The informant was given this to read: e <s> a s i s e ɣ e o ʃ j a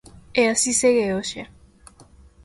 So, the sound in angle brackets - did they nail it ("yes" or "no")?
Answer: no